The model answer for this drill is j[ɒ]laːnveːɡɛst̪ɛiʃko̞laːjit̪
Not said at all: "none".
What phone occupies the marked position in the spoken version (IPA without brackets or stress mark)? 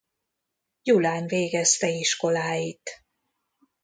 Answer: u